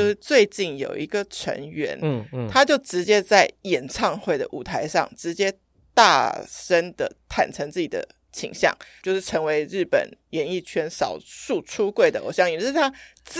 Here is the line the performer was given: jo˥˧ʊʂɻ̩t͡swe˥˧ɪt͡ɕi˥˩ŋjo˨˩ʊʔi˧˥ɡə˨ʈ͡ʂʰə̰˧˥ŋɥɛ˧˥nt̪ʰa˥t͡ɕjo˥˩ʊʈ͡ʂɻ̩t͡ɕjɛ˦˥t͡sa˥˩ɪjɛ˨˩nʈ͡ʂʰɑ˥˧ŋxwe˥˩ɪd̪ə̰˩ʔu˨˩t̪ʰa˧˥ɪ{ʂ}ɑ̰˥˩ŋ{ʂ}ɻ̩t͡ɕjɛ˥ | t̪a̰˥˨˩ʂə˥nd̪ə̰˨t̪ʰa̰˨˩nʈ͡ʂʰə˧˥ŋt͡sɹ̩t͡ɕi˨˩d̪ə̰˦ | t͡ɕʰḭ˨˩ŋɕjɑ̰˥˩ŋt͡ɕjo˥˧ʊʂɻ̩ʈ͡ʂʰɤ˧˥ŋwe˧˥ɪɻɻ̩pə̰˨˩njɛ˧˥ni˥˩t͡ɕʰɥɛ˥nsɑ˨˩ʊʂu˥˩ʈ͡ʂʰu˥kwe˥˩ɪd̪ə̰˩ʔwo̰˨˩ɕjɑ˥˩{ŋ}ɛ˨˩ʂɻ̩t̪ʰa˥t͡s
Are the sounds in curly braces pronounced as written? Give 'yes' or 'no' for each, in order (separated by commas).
yes, no, yes